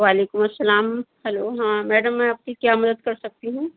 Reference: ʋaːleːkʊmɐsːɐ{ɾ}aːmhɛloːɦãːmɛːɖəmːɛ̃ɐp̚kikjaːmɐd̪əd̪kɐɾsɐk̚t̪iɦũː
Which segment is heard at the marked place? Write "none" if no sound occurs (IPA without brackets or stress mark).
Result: l